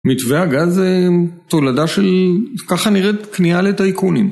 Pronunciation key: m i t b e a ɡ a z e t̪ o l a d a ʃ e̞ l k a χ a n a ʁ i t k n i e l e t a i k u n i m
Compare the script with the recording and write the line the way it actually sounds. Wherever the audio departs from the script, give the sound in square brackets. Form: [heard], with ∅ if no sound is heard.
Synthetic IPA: m i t [v] e a ɡ a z e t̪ o l a d a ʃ e̞ l k a χ a n [i] ʁ [e] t k n i [a] l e t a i k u n i m